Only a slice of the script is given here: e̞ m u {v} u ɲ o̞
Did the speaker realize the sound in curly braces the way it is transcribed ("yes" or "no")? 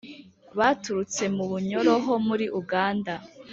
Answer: no